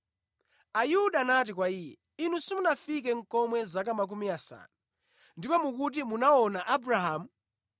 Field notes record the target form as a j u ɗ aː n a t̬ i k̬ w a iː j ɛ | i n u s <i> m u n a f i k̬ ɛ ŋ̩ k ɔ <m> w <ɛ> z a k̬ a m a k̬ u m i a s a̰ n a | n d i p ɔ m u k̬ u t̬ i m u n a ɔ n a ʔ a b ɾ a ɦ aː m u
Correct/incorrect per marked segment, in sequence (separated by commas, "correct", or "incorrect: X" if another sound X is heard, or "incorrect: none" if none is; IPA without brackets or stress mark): correct, correct, correct